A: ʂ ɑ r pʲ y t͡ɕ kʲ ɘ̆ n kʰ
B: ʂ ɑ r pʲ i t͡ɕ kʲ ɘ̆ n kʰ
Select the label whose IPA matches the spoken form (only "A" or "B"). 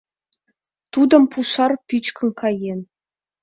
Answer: A